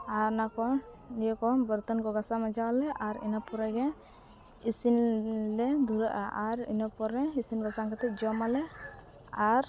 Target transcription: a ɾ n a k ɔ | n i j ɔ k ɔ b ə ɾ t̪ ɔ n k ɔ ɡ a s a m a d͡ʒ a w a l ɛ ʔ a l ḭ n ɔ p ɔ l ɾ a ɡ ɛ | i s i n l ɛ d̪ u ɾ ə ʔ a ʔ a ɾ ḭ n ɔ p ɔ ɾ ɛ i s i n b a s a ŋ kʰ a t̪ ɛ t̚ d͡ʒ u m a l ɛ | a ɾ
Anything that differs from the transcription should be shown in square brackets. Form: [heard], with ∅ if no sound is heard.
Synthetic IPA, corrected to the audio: a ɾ n a k ɔ | n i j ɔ k ɔ b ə ɾ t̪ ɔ n k ɔ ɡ a s a m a d͡ʒ a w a l ɛ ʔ a [ɾ] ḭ n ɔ p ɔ [∅] ɾ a ɡ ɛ | i s i n l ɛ d̪ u ɾ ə ʔ a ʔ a ɾ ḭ n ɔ p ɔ ɾ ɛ i s i n b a s a ŋ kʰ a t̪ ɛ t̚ d͡ʒ [ɔ] m a l ɛ | a ɾ